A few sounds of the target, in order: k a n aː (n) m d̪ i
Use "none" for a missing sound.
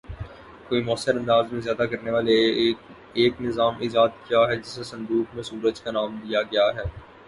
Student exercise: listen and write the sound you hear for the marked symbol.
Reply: none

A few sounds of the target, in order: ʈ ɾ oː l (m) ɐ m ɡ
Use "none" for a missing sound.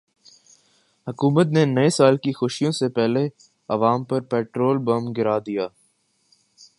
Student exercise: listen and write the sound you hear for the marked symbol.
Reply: b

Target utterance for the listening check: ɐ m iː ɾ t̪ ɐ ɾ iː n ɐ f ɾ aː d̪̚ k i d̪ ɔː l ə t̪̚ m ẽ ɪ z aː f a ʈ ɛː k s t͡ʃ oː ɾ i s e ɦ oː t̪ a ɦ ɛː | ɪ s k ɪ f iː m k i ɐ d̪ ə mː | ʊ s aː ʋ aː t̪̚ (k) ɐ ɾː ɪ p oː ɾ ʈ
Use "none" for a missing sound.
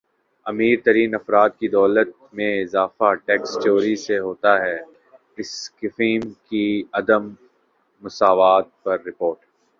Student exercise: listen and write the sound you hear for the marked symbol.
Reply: p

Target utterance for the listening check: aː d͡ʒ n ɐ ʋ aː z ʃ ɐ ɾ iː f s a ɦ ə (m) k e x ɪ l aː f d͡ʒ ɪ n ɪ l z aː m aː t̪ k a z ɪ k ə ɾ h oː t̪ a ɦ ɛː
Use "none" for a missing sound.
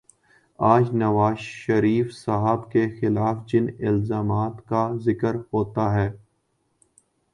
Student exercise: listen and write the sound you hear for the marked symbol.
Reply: b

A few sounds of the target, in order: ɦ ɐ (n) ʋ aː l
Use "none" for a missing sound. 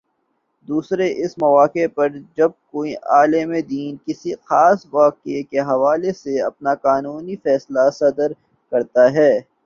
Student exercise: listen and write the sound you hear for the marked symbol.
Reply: none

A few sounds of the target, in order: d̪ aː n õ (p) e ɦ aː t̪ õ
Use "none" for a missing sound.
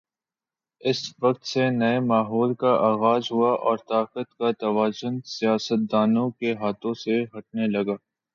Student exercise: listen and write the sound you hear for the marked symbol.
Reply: k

